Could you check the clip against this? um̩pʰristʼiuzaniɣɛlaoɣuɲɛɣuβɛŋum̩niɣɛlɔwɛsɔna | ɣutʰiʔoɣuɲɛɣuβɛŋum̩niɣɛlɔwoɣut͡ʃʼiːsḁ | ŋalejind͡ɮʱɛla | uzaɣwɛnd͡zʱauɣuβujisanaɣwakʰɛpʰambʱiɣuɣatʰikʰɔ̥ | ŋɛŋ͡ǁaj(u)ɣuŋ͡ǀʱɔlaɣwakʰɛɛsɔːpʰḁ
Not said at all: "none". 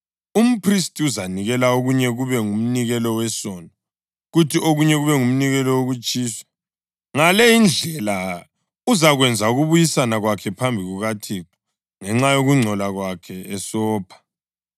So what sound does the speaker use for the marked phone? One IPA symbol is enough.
o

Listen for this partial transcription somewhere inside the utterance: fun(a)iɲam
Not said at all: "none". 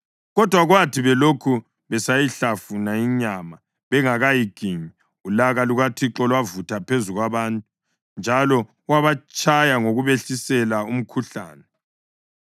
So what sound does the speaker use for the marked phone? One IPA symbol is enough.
a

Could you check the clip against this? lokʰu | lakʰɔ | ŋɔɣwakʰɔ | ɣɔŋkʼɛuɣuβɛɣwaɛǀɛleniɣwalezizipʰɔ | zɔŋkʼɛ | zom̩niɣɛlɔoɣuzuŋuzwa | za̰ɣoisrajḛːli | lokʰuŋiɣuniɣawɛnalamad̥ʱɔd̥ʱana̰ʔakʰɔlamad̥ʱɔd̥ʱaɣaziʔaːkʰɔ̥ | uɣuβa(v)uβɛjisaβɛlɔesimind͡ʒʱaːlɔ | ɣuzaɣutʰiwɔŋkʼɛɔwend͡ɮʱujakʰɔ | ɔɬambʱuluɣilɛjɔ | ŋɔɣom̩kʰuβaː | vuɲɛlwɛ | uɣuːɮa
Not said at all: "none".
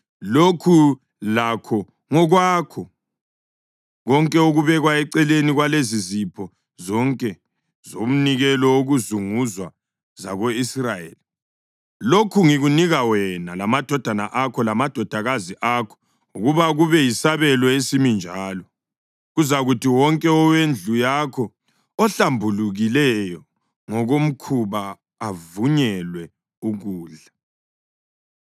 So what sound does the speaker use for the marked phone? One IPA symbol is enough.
ɣ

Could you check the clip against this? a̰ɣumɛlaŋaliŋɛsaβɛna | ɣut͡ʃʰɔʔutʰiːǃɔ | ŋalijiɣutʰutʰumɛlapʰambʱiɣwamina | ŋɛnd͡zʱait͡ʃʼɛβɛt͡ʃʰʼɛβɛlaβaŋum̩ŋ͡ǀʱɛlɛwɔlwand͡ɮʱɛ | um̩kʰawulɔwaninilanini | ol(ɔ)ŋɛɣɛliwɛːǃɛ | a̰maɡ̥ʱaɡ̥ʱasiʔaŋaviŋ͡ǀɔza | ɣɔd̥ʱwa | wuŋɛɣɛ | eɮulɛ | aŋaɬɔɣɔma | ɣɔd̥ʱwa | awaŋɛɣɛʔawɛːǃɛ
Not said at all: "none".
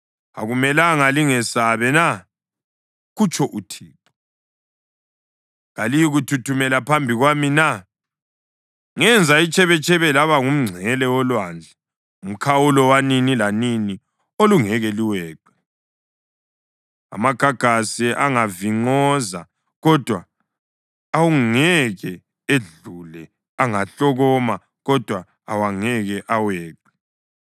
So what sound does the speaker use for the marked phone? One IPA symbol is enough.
u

